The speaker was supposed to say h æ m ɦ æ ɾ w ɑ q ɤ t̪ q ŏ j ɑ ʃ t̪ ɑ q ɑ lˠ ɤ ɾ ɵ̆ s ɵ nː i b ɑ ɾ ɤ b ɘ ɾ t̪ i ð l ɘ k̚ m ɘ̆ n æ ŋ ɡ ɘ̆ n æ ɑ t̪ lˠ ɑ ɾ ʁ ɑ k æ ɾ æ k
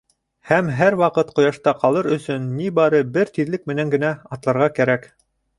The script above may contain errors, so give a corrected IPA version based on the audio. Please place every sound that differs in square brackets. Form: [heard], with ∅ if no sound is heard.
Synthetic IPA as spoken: h æ m ɦ æ ɾ w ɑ q ɤ t̪ q ŏ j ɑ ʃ t̪ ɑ q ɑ lˠ ɤ ɾ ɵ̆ s ɵ nː i b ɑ ɾ ɤ b ɘ ɾ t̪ i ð l ɘ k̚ m ɘ̆ n æ ŋ ɡ ɘ̆ n æ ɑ t̪ lˠ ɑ ɾ ʁ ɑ k æ ɾ æ k